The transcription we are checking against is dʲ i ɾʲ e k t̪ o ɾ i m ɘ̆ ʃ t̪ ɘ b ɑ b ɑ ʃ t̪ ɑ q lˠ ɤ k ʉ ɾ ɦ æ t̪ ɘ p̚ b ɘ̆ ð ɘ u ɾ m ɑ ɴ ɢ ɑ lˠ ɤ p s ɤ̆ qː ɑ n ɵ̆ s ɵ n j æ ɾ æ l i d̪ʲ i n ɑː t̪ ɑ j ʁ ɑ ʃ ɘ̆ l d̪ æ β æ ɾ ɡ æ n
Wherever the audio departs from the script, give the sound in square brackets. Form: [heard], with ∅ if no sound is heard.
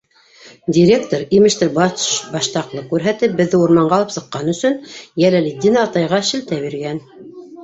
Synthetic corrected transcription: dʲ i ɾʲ e k t̪ o ɾ i m ɘ̆ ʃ t̪ ɘ b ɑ b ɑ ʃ t̪ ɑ q lˠ ɤ k ʉ ɾ ɦ æ t̪ ɘ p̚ b ɘ̆ [ðː] ɘ u ɾ m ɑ ɴ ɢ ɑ lˠ ɤ p s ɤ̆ qː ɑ n ɵ̆ s ɵ n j æ [l] æ l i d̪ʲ i n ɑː t̪ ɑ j ʁ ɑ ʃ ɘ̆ l [t̪] æ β [i] ɾ ɡ æ n